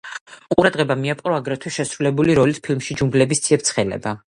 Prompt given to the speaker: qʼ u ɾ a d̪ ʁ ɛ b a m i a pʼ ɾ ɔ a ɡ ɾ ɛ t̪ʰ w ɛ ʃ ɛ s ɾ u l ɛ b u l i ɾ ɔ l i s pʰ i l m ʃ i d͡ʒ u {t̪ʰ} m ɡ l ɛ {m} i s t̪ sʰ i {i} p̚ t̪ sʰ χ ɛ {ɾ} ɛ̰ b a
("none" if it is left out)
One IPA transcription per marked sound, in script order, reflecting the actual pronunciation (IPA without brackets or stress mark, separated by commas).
none, b, ɛ, l